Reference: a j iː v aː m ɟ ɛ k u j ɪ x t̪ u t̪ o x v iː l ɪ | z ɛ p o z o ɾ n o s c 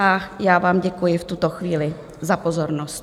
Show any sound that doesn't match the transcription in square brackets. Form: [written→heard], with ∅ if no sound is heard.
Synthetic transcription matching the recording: a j [iː→aː] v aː m ɟ ɛ k u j ɪ [x→f] t̪ u t̪ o x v iː l ɪ | z [ɛ→a] p o z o ɾ n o s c